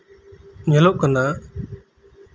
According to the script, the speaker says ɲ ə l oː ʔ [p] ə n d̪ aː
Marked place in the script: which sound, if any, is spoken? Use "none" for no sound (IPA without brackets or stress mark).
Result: k